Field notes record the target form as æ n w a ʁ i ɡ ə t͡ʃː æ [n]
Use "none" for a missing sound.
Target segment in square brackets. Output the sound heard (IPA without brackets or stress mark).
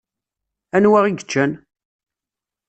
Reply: n